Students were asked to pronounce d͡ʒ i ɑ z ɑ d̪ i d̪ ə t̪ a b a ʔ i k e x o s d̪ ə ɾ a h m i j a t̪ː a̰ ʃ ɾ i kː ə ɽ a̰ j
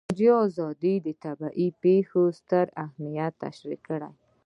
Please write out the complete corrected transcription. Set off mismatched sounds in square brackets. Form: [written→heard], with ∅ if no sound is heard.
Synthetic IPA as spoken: d͡ʒ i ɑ z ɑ d̪ i d̪ ə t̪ a b a ʔ i [k→p] e x o s [d̪→t̪] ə ɾ a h m i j a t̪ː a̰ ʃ ɾ i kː ə ɽ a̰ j